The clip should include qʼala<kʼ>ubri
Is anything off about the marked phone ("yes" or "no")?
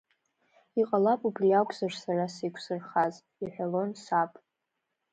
yes